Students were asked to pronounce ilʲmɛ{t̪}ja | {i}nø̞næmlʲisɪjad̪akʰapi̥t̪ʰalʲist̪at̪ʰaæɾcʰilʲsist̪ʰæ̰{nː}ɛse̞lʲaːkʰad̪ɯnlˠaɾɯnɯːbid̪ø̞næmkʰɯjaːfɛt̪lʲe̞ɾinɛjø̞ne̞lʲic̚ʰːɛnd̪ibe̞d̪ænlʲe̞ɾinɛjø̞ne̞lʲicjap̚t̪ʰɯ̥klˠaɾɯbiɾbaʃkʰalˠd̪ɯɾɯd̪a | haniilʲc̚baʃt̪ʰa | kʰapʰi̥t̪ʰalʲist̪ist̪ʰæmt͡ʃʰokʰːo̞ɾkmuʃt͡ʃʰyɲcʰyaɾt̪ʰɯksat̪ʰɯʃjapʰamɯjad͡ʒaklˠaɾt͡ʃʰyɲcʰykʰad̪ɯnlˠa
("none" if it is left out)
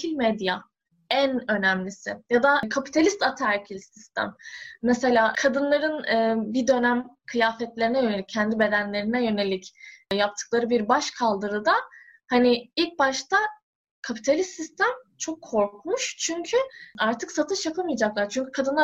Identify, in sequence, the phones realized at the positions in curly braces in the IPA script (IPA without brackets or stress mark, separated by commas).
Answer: d̪, æ, mː